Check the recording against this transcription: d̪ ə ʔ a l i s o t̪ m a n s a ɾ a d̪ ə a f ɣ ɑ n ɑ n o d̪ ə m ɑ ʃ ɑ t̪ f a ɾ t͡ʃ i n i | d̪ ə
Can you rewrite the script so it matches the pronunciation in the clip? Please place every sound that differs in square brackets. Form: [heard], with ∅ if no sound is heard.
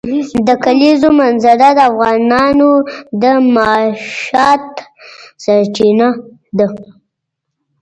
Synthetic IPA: d̪ ə [k] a l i [z] o [∅] m a n [z] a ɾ a d̪ ə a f ɣ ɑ n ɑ n o d̪ ə m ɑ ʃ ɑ t̪ [s] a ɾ t͡ʃ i n [a] | d̪ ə